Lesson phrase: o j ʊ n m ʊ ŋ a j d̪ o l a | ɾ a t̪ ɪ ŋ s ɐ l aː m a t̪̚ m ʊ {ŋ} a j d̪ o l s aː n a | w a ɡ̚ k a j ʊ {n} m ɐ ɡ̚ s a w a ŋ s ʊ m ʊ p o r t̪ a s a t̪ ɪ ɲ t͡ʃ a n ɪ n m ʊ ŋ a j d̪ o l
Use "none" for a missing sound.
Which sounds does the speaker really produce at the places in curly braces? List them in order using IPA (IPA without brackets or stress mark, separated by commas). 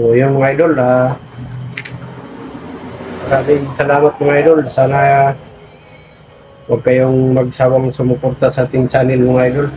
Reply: ŋ, ŋ